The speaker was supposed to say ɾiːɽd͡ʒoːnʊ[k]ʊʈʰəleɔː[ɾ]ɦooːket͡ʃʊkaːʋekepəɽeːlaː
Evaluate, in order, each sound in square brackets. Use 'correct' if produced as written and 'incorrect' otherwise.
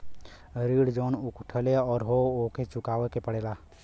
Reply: correct, correct

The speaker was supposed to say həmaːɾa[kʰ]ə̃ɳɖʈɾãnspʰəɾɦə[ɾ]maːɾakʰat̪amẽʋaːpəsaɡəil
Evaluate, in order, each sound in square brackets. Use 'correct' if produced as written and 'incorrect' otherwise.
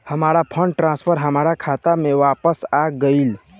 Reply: incorrect: pʰ, incorrect: none

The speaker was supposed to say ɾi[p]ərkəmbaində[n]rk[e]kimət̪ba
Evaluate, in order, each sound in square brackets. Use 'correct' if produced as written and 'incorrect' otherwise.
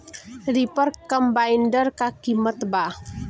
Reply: correct, incorrect: none, incorrect: a

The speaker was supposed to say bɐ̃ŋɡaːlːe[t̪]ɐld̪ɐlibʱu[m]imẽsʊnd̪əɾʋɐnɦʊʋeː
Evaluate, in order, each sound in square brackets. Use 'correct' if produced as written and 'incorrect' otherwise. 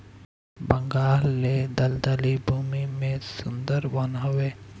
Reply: incorrect: d̪, correct

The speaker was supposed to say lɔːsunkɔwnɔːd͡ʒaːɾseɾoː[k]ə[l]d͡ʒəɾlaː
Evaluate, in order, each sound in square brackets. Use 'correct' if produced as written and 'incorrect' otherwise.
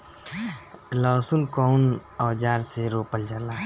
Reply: incorrect: p, correct

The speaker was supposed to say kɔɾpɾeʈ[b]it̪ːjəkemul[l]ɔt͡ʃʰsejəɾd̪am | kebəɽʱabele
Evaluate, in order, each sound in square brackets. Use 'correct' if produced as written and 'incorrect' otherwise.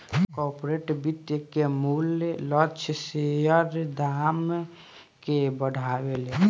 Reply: correct, correct

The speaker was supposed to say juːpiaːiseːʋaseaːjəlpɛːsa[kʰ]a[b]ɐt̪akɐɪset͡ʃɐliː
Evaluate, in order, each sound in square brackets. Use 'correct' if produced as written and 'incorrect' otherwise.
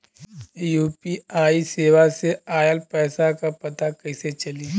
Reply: incorrect: k, incorrect: p

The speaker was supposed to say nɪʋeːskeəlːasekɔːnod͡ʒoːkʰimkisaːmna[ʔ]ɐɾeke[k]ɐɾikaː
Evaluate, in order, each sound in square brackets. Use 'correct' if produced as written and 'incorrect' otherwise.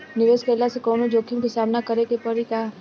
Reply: incorrect: k, incorrect: p

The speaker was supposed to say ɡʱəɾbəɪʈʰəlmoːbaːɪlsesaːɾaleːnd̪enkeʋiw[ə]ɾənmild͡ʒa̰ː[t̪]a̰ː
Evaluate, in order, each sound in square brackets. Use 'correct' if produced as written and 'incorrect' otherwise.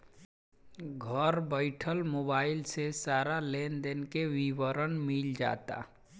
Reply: correct, correct

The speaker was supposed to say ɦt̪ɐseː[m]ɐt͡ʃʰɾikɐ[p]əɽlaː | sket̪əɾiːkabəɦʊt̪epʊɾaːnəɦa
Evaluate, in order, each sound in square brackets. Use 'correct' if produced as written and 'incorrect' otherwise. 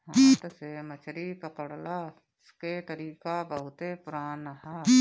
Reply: correct, correct

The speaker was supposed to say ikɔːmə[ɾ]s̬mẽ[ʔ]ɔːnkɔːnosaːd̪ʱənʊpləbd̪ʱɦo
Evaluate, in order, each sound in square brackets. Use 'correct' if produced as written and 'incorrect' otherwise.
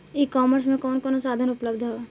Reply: correct, incorrect: k

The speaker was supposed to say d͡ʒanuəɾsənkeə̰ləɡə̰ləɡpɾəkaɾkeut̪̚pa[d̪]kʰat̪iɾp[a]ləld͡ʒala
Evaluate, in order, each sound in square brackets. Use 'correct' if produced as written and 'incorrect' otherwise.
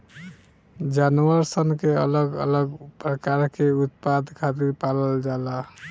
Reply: correct, correct

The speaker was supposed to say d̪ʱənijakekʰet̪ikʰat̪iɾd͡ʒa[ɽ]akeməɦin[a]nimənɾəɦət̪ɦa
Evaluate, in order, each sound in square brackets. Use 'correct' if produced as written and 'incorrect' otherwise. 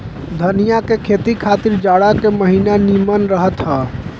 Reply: correct, correct

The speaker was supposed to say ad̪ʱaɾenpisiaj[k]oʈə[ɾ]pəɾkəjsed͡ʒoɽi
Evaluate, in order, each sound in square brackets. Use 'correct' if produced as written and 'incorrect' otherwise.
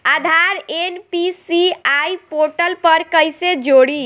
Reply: incorrect: p, incorrect: l

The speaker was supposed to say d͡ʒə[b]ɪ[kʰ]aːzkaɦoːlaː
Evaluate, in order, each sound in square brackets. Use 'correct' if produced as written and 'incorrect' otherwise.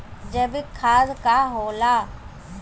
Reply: correct, correct

